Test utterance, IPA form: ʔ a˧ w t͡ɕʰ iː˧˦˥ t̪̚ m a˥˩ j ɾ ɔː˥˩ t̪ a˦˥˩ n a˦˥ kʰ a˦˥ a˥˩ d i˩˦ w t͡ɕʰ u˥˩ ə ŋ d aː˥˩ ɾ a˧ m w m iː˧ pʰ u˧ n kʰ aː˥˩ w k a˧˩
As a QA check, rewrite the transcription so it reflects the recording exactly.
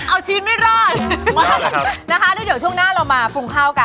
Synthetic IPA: ʔ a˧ w t͡ɕʰ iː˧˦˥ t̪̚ m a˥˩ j ɾ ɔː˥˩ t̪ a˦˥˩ n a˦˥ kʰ a˦˥ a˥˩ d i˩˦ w t͡ɕʰ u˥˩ ə ŋ n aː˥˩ ɾ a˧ w m aː˧ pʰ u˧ ŋ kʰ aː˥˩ w k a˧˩